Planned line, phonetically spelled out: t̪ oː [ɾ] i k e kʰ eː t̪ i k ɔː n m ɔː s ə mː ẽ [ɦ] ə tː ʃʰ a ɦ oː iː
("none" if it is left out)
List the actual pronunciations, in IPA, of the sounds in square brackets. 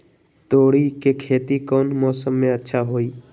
ɽ, none

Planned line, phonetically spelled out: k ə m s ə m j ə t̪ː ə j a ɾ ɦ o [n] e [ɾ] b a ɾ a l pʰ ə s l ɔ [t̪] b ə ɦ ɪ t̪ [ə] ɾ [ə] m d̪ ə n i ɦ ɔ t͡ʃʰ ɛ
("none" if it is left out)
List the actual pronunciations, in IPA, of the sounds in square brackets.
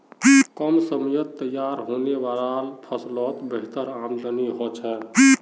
n, none, t̪, ə, a

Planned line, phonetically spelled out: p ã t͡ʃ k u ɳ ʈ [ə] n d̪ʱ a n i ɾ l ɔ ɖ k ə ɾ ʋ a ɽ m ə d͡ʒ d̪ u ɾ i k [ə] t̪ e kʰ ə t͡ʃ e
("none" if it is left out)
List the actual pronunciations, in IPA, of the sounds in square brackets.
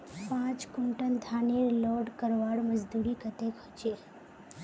ə, ə

